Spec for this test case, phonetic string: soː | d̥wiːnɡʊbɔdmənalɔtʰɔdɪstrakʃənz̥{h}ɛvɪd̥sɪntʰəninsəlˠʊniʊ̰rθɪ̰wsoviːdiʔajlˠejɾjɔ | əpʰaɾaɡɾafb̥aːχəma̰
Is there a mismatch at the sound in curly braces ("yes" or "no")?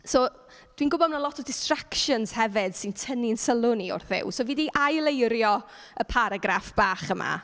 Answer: no